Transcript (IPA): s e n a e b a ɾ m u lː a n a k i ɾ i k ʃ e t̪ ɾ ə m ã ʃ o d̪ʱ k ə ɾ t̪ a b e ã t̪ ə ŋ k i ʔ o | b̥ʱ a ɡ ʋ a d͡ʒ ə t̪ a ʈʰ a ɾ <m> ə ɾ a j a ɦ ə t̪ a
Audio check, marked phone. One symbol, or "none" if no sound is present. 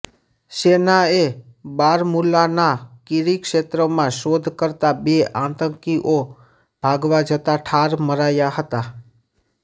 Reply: m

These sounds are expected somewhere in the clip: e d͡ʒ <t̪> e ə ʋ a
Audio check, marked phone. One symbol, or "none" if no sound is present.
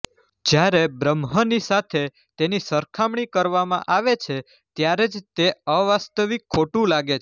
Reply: t̪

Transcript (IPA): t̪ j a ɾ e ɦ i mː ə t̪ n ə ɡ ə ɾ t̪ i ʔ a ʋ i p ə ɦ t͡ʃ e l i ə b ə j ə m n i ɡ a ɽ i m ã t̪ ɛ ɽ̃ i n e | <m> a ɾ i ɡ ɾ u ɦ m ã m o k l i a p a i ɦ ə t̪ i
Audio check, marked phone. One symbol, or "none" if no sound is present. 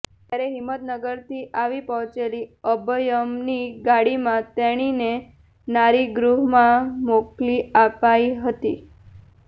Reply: n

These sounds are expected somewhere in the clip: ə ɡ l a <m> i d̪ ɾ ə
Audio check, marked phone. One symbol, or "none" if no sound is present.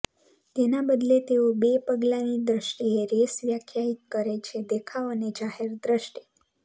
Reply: n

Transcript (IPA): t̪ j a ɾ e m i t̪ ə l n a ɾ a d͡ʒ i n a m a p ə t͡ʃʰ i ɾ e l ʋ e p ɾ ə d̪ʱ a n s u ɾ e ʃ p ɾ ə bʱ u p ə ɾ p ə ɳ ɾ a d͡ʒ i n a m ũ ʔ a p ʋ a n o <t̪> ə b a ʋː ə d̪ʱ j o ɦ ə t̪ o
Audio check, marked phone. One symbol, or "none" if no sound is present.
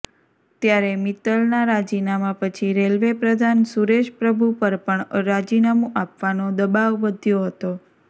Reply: d̪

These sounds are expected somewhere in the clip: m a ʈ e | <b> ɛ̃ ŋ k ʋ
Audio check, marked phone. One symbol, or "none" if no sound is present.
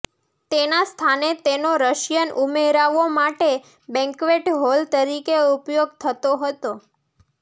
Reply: b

